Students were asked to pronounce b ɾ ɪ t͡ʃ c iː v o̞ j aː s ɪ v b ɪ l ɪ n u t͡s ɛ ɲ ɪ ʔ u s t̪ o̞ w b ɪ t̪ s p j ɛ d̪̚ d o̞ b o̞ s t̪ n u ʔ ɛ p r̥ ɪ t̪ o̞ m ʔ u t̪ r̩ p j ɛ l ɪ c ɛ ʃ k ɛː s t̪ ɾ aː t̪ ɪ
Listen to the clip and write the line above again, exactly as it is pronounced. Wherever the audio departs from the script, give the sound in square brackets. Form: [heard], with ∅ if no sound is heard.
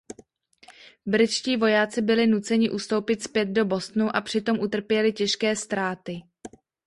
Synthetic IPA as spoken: b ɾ ɪ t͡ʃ c iː v o̞ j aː [t͡s] ɪ [∅] b ɪ l ɪ n u t͡s ɛ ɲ ɪ ʔ u s t̪ o̞ w [p] ɪ t̪ s p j ɛ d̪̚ d o̞ b o̞ s t̪ n u ʔ [a] p r̥ ɪ t̪ o̞ m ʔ u t̪ r̩ p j ɛ l ɪ c ɛ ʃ k ɛː s t̪ ɾ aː t̪ ɪ

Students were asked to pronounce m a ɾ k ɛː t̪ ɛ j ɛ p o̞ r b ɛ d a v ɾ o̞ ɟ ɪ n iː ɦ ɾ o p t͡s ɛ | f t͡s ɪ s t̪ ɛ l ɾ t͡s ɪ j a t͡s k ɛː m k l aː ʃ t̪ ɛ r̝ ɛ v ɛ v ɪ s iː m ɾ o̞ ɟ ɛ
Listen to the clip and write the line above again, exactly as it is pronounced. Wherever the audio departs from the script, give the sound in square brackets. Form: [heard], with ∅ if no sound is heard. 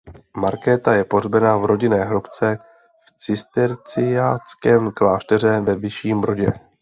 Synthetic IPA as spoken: m a ɾ k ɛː t̪ [a] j ɛ p o̞ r b ɛ [n] a v ɾ o̞ ɟ ɪ n [ɛː] ɦ ɾ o p t͡s ɛ | f t͡s ɪ s t̪ ɛ [∅] ɾ t͡s ɪ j a t͡s k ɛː m k l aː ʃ t̪ ɛ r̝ ɛ v ɛ v ɪ [ʃ] iː m ɾ o̞ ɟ ɛ

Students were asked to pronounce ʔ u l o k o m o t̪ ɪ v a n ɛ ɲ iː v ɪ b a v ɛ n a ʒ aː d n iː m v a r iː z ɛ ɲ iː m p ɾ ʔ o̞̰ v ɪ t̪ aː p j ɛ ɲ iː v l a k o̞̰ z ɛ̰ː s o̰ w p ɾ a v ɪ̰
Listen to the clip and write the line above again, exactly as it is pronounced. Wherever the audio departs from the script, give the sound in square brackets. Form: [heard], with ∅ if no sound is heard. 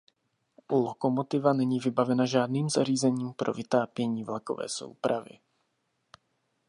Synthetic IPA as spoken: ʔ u l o k o m o t̪ ɪ v a n ɛ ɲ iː v ɪ b a v ɛ n a ʒ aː d n iː m [z] a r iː z ɛ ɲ iː m p ɾ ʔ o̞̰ v ɪ t̪ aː p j ɛ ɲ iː v l a k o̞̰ [v] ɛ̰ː s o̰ w p ɾ a v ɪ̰

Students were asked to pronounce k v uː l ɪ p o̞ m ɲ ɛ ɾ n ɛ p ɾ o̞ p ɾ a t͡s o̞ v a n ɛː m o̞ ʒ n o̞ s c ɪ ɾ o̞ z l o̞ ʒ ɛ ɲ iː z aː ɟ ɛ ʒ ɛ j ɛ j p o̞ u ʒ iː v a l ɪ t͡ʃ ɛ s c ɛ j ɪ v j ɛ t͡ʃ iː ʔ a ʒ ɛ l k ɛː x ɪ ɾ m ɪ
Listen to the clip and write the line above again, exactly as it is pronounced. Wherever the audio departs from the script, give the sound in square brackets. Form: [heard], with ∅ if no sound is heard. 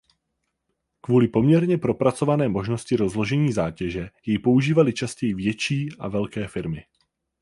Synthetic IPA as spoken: k v uː l ɪ p o̞ m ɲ ɛ ɾ [ɲ] ɛ p ɾ o̞ p ɾ a t͡s o̞ v a n ɛː m o̞ ʒ n o̞ s c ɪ ɾ o̞ z l o̞ ʒ ɛ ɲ iː z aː [c] ɛ ʒ ɛ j ɛ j p o̞ u ʒ iː v a l ɪ t͡ʃ [a] s c ɛ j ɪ v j ɛ t͡ʃ iː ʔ a [v] ɛ l k ɛː [f] ɪ ɾ m ɪ

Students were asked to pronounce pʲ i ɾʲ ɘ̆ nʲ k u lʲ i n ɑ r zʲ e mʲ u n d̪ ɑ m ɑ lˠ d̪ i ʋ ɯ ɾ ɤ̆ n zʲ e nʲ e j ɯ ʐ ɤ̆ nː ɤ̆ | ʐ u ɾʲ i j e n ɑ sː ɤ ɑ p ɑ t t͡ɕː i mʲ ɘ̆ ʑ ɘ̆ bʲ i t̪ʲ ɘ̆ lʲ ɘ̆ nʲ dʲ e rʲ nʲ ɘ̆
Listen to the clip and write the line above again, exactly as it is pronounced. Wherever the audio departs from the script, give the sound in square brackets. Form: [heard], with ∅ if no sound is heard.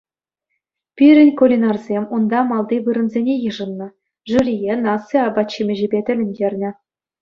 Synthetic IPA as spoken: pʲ i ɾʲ ɘ̆ nʲ k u lʲ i n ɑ r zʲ e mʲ u n d̪ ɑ m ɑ lˠ d̪ i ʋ ɯ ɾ ɤ̆ n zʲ e nʲ e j ɯ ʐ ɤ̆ nː ɤ̆ | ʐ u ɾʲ i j e n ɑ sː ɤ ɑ [b] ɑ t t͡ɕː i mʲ ɘ̆ ʑ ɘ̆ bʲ [e] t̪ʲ ɘ̆ lʲ ɘ̆ nʲ dʲ e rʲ nʲ ɘ̆

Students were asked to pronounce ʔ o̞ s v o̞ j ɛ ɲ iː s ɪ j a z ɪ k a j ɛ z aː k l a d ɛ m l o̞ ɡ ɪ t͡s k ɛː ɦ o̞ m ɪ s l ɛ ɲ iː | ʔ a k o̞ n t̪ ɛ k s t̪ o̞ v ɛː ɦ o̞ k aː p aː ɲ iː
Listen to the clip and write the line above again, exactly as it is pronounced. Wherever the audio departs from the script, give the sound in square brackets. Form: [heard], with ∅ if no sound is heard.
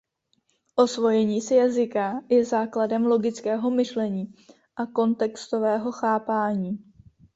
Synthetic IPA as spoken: ʔ o̞ s v o̞ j ɛ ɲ iː s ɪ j a z ɪ k a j ɛ z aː k l a d ɛ m l o̞ ɡ ɪ t͡s k ɛː ɦ o̞ m ɪ [ʃ] l ɛ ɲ iː | ʔ a k o̞ n t̪ ɛ k s t̪ o̞ v ɛː ɦ o̞ [x] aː p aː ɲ iː

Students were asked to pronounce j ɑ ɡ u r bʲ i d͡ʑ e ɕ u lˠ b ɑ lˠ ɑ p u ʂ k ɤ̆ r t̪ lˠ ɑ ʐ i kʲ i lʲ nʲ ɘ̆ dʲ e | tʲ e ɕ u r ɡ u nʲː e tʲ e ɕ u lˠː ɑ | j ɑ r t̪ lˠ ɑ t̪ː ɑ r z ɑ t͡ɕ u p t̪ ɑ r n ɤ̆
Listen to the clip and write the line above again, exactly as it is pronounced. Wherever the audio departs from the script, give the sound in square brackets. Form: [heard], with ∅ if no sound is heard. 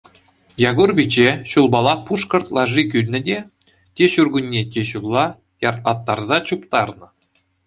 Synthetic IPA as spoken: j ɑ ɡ u r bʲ i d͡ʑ e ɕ u lˠ b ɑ lˠ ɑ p u ʂ k ɤ̆ r t̪ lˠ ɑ ʐ i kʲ [y] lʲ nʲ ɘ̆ dʲ e | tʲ e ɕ u r ɡ u nʲː e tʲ e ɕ u lˠː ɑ | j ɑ r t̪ lˠ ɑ t̪ː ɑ r z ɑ t͡ɕ u p t̪ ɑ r n ɤ̆

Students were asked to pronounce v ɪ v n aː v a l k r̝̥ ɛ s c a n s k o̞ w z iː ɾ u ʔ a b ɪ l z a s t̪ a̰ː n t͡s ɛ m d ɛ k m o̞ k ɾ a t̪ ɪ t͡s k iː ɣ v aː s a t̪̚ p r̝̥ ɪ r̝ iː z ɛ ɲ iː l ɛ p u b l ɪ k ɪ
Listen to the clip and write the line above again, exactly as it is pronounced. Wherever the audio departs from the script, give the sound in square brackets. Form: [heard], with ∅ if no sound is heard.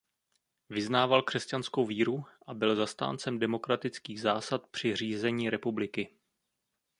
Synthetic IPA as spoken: v ɪ [z] n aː v a l k r̝̥ ɛ s c a n s k o̞ w [v] iː ɾ u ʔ a b ɪ l z a s t̪ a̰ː n t͡s ɛ m d ɛ [∅] m o̞ k ɾ a t̪ ɪ t͡s k iː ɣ [z] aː s a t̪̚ p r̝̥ ɪ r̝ iː z ɛ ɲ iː [ɾ] ɛ p u b l ɪ k ɪ

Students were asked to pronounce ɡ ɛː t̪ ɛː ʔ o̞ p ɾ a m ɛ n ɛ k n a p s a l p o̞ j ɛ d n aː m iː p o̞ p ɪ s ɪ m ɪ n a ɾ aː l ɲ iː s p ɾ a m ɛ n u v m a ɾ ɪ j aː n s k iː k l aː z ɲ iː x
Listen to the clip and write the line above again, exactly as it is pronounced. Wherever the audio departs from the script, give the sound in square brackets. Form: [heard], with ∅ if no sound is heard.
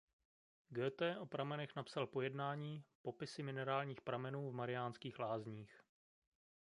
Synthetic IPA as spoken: ɡ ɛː t̪ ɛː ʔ o̞ p ɾ a m ɛ n ɛ [x] n a p s a l p o̞ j ɛ d n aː [ɲ] iː p o̞ p ɪ s ɪ m ɪ n [ɛ] ɾ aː l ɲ iː [x] p ɾ a m ɛ n [uː] v m a ɾ ɪ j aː n s k iː [x] l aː z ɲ iː x

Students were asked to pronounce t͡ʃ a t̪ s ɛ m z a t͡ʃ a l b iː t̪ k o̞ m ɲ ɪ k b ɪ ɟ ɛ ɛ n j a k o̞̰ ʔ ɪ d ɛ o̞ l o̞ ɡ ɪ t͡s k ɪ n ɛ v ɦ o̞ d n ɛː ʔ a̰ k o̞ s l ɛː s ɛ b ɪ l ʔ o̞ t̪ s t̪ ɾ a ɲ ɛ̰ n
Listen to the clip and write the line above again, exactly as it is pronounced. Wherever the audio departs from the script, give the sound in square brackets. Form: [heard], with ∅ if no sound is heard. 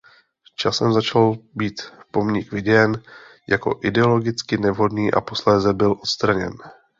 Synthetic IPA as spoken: t͡ʃ a [∅] s ɛ m z a t͡ʃ a l b iː t̪ [p] o̞ m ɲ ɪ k [v] ɪ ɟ ɛ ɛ n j a k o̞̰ ʔ ɪ d ɛ o̞ l o̞ ɡ ɪ t͡s k ɪ n ɛ v ɦ o̞ d n [iː] ʔ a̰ [p] o̞ s l ɛː [z] ɛ b ɪ l ʔ o̞ t̪ s t̪ ɾ a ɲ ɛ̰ n

